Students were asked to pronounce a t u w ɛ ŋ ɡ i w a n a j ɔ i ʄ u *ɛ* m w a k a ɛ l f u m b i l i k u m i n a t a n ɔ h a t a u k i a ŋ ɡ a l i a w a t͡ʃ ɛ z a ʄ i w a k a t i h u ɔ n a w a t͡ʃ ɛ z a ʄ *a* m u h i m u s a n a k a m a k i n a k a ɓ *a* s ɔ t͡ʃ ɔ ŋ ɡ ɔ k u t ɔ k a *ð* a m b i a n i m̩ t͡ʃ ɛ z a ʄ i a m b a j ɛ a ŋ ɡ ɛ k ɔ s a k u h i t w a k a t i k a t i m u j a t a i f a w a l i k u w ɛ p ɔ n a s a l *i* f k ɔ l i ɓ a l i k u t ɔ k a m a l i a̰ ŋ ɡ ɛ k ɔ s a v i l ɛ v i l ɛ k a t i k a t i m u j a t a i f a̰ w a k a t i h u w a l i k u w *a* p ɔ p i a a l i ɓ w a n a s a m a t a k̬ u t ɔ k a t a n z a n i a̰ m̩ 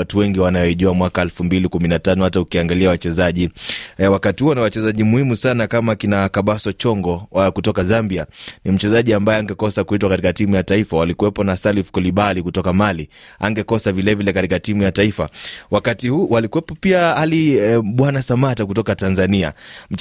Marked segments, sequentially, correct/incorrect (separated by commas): incorrect, incorrect, correct, incorrect, correct, incorrect